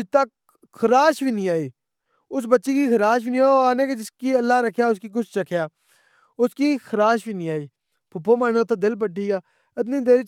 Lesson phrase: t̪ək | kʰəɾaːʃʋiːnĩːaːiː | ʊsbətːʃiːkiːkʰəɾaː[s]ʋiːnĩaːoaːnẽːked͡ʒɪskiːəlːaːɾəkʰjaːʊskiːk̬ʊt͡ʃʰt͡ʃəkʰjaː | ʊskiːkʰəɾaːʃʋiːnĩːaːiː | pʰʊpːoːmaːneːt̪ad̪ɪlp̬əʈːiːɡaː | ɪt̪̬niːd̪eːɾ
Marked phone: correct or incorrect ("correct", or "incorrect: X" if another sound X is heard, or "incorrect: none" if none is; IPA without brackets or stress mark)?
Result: incorrect: ʃ